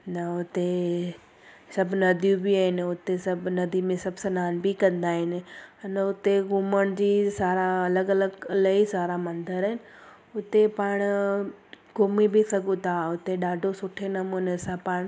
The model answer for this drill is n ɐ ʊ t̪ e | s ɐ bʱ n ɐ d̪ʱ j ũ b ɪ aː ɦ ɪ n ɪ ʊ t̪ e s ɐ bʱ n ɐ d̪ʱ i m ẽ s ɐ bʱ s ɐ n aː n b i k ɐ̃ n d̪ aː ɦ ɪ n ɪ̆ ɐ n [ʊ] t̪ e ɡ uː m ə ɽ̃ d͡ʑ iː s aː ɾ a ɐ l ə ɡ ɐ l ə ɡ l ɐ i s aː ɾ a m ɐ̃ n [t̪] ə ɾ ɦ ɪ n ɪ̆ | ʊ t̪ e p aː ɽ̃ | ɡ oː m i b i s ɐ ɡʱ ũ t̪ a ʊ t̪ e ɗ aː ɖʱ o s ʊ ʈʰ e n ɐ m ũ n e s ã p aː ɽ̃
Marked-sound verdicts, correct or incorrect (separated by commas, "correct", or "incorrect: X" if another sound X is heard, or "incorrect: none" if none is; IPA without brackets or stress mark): correct, incorrect: d̪